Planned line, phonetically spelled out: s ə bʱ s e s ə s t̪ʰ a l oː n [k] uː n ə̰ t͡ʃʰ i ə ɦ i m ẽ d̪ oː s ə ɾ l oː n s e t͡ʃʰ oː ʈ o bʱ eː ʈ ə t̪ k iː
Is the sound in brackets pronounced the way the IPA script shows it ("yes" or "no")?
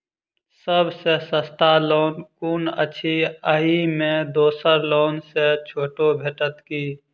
yes